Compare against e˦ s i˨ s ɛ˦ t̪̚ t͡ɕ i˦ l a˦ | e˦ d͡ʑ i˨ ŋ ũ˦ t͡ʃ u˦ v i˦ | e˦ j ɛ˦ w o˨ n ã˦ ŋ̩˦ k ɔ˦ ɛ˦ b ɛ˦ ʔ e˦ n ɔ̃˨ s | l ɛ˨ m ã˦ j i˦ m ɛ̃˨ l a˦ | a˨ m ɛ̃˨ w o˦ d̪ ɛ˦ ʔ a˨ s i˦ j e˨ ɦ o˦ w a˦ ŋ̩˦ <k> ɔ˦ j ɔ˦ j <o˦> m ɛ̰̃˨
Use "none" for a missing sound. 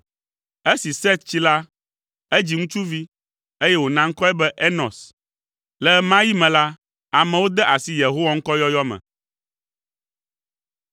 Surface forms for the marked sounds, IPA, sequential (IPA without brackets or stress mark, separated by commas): k, ɔ˦